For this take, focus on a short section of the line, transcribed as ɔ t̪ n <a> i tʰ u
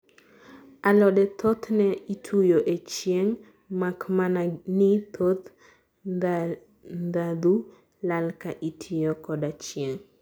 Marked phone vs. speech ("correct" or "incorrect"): incorrect